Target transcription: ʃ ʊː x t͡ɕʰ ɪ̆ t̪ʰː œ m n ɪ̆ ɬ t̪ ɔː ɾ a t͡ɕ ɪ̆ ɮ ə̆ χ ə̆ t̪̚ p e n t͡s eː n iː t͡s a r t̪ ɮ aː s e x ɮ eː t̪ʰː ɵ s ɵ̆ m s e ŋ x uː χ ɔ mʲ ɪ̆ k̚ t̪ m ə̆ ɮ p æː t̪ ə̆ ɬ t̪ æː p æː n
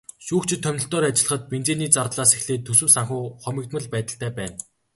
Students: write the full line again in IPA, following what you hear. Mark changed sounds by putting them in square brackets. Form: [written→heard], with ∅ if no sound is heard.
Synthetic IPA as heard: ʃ [ʊː→uː] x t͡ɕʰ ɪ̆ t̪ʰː œ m n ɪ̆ ɬ t̪ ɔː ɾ a t͡ɕ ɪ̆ ɮ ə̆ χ ə̆ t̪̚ p e n t͡s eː n iː t͡s a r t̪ ɮ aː s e x ɮ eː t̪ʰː ɵ s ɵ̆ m s [e→a] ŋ x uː χ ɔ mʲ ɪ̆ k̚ t̪ m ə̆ ɮ p æː t̪ ə̆ ɬ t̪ æː p æː n